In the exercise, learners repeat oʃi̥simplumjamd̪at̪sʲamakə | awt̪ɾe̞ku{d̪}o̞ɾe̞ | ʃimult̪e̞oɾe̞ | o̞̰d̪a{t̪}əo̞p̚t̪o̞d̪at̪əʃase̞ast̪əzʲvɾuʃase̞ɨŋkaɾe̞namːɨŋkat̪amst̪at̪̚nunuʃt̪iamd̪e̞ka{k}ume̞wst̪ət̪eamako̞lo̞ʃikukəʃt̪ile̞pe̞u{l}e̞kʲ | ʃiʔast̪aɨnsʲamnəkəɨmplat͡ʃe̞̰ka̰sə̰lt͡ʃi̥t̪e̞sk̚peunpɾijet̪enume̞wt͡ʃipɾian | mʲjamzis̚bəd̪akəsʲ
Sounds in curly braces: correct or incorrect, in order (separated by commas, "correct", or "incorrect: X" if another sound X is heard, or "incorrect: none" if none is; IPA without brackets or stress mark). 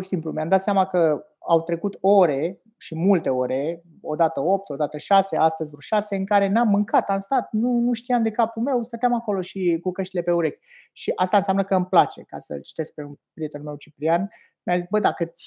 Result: incorrect: t̪, correct, incorrect: p, incorrect: ɾ